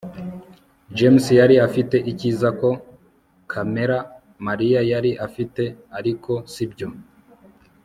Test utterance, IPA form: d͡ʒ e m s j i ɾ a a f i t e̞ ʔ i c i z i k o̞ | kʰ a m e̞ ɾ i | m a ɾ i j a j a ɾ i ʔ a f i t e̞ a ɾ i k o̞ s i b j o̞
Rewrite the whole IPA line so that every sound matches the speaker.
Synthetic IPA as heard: d͡ʒ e m s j a ɾ i a f i t e̞ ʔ i c i z a k o̞ | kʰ a m e̞ ɾ a | m a ɾ i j a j a ɾ i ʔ a f i t e̞ a ɾ i k o̞ s i b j o̞